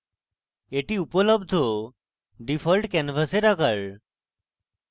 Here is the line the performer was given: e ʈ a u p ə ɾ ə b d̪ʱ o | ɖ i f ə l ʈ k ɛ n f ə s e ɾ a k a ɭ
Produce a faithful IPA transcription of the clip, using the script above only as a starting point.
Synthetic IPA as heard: e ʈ i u p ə l ə b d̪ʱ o | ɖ i f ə l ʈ k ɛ n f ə s e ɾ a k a ɭ